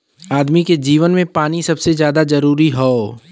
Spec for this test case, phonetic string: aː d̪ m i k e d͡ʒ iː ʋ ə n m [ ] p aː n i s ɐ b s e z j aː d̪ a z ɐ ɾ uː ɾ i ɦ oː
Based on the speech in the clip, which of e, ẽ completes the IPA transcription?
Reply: ẽ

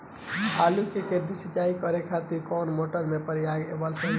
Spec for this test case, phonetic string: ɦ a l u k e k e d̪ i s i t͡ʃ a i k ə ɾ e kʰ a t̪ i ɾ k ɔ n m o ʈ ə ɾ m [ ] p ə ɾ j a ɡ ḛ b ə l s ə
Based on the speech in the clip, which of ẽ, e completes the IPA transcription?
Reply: e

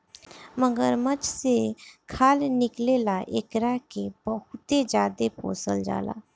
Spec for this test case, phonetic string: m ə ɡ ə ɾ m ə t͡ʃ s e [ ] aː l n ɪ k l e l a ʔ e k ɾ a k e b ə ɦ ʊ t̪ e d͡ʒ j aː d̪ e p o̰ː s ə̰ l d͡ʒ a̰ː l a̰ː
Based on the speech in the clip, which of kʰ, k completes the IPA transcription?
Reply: kʰ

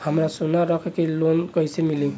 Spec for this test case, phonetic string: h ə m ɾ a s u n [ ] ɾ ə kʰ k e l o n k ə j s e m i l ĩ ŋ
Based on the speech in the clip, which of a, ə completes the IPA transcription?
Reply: a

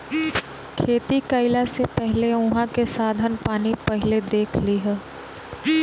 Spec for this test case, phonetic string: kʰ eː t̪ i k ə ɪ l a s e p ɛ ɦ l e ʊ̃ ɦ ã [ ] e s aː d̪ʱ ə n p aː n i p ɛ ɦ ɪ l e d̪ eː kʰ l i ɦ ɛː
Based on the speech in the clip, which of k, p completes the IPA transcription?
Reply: k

